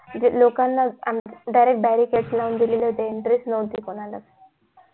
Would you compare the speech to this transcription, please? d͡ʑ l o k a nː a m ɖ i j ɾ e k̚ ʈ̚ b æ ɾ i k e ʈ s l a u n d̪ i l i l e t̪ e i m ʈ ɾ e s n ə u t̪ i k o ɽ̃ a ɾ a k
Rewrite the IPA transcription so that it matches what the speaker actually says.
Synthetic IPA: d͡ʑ l o k a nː a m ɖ a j ɾ e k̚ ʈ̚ b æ ɾ i k e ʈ s l a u n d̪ i l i l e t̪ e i ɳ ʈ ɾ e s n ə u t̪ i k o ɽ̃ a l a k